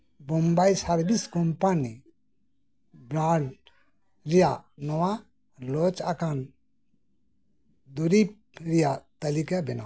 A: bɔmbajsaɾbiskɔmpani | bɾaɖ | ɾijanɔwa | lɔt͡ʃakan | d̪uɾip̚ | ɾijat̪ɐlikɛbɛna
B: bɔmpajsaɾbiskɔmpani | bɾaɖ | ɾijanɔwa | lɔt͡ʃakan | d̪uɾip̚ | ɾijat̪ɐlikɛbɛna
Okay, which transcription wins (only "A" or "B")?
A